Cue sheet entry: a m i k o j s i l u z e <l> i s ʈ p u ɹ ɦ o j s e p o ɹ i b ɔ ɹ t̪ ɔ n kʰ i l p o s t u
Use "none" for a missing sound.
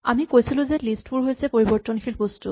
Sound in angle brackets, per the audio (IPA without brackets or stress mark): l